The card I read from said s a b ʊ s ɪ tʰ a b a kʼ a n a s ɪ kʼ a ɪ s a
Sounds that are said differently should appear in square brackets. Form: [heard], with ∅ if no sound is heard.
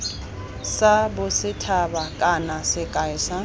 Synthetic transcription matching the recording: s a b ʊ s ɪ tʰ a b a kʼ a n a s ɪ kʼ a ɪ s a

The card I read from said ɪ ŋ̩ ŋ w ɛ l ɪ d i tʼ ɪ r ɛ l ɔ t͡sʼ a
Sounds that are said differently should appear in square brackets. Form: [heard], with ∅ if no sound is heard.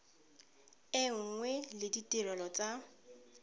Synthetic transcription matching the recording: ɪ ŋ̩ ŋ w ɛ l ɪ d i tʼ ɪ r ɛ l ɔ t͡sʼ a

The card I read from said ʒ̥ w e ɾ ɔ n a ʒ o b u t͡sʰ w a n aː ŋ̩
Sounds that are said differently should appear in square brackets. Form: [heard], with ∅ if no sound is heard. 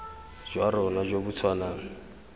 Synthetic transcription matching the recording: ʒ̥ w [a] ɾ ɔ n a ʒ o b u t͡sʰ w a n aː ŋ̩

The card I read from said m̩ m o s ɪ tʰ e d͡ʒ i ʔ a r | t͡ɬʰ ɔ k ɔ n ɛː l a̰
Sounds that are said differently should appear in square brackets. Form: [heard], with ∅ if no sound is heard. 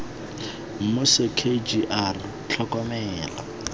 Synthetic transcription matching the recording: m̩ m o s ɪ [kʰ] e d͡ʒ i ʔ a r | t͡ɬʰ ɔ k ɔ [m] ɛː l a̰

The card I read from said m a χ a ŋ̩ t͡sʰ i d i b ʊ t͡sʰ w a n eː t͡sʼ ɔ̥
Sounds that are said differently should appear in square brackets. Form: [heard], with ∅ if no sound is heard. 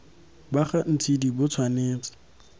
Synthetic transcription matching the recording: [b] a χ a [n̩] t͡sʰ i d i b ʊ t͡sʰ w a n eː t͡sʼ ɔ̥

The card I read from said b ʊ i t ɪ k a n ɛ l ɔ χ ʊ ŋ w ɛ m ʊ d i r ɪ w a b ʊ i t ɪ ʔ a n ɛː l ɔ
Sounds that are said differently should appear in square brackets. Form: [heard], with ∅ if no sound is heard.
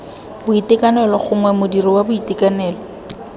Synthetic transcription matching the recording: b ʊ i t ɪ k a n ɛ l ɔ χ ʊ ŋ w ɛ m ʊ d i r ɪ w a b ʊ i t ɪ [k] a n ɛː l ɔ

